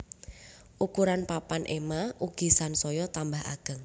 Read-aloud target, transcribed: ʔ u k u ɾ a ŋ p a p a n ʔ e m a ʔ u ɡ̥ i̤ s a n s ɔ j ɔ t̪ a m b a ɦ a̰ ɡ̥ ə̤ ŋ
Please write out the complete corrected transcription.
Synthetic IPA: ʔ u k u ɾ a n p a p a n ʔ e m a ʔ u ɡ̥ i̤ s a n s ɔ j ɔ t̪ a m b a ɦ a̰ ɡ̥ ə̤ ŋ